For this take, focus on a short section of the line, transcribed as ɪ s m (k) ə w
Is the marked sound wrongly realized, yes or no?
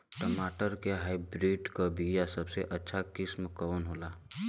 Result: no